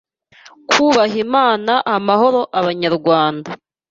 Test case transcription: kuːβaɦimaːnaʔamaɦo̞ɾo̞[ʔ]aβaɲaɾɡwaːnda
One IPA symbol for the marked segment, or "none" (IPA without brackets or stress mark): ʔ